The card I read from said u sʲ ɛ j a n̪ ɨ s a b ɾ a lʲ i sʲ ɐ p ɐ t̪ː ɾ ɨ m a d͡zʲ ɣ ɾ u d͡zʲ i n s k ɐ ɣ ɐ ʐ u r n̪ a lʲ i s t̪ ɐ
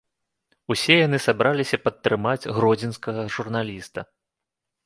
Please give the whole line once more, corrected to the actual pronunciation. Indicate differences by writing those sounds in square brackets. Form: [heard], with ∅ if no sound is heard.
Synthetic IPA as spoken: u sʲ ɛ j a n̪ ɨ s a b ɾ a lʲ i sʲ ɐ p ɐ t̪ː ɾ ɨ m a d͡zʲ ɣ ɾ [ɔ] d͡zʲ i n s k ɐ ɣ ɐ ʐ u r n̪ a lʲ i s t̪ ɐ